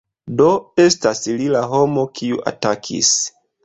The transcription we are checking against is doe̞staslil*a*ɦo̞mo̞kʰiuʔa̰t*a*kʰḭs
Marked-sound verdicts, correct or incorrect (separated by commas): correct, correct